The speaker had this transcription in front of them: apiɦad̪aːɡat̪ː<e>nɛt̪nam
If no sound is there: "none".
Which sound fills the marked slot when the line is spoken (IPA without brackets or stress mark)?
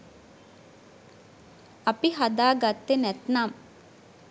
e